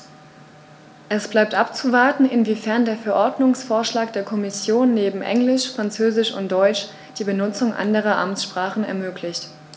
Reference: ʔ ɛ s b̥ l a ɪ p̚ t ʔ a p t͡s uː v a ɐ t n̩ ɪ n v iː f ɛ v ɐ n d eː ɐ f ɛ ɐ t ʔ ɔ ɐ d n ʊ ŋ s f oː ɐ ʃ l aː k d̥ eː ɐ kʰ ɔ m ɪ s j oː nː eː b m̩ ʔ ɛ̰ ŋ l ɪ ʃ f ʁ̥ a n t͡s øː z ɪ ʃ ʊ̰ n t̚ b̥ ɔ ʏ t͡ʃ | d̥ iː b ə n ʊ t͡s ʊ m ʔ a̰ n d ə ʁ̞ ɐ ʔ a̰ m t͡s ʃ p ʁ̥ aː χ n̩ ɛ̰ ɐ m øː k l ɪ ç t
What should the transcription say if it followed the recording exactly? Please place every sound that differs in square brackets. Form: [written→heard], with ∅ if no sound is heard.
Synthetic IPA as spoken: ʔ ɛ s b̥ l a ɪ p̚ t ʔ a p t͡s [uː→u] v a ɐ t n̩ ɪ n v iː f ɛ [v→∅] ɐ n d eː ɐ f ɛ ɐ [t→∅] ʔ ɔ ɐ d n ʊ ŋ s f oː ɐ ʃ l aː k d̥ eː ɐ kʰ ɔ m ɪ s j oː nː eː b m̩ ʔ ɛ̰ ŋ l ɪ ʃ f ʁ̥ a n t͡s øː z ɪ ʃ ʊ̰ n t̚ [b̥→d̥] ɔ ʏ t͡ʃ | d̥ iː b ə n ʊ t͡s ʊ [m→ŋ] ʔ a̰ n d ə ʁ̞ ɐ ʔ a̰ m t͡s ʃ p ʁ̥ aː χ n̩ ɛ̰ ɐ m øː k l ɪ ç t

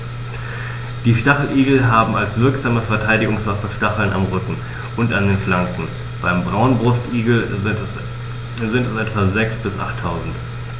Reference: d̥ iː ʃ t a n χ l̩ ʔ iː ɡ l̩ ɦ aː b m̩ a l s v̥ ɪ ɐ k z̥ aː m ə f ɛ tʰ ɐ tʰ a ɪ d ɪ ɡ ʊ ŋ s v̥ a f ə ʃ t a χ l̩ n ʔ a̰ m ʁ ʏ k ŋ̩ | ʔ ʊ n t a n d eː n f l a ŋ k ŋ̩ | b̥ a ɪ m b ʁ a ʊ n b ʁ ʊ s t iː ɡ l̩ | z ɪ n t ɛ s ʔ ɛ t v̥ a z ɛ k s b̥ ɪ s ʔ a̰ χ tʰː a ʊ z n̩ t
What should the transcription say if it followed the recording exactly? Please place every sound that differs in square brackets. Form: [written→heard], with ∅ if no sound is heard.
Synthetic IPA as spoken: d̥ iː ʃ t a [n→∅] χ l̩ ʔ iː ɡ l̩ ɦ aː b m̩ a l s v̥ ɪ ɐ k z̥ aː m ə f ɛ [tʰ→∅] ɐ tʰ a ɪ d ɪ ɡ ʊ ŋ s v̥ a f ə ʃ t a χ l̩ n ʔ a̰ m ʁ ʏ k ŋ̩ | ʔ ʊ n t a n d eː n f l a ŋ k ŋ̩ | b̥ a ɪ m b ʁ a ʊ n b ʁ ʊ s t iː ɡ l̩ | z ɪ n t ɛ s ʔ ɛ t v̥ a z ɛ k s b̥ ɪ s ʔ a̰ χ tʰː a ʊ z n̩ t

